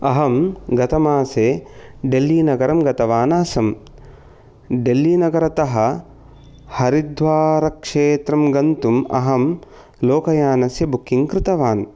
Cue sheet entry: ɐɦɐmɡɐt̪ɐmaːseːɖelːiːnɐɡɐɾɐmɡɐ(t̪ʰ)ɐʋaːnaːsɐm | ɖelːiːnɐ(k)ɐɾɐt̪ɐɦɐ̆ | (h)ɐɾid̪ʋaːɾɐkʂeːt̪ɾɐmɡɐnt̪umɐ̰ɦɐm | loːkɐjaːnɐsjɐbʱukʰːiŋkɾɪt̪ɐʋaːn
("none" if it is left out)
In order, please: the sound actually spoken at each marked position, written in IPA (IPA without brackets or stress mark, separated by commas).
t̪, ɡ, h